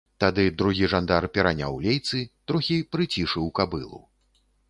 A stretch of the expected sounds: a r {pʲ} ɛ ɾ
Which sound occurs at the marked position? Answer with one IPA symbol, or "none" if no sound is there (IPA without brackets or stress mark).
pʲ